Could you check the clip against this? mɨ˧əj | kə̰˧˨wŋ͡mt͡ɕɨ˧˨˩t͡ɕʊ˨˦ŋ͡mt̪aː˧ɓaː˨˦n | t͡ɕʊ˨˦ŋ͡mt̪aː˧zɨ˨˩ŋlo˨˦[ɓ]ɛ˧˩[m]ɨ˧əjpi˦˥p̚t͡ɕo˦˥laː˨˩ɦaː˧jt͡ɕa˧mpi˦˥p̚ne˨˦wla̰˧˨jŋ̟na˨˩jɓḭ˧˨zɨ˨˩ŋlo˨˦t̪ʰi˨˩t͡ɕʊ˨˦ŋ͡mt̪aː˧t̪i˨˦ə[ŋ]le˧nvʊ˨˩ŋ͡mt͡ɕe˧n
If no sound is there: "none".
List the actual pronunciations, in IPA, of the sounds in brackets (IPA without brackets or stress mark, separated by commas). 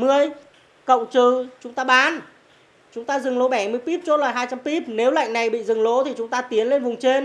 ɓ, m, n